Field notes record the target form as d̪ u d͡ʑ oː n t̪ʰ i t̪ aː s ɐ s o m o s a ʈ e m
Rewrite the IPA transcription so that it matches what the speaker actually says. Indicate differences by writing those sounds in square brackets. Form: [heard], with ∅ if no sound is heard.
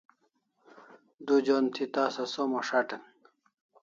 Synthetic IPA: d̪ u d͡ʑ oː n t̪ʰ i t̪ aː s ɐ s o m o [ʂ] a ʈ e [n]